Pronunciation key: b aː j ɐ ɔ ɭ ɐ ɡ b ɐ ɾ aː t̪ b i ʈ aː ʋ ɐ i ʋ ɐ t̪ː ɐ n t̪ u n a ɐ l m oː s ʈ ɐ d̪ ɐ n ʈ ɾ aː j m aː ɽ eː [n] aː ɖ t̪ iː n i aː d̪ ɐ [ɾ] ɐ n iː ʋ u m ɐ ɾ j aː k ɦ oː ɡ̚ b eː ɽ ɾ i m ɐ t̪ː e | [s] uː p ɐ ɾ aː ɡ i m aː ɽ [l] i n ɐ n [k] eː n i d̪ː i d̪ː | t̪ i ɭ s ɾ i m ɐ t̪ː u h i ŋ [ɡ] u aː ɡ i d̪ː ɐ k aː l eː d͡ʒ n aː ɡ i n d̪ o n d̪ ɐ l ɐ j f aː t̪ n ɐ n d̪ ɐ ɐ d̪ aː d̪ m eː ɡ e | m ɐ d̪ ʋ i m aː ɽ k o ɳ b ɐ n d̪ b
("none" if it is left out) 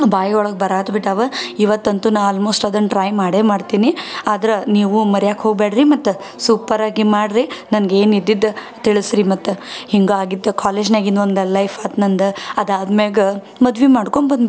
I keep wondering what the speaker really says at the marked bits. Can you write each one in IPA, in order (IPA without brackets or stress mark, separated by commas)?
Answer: m, ɾ, s, ɾ, ɡ, ɡ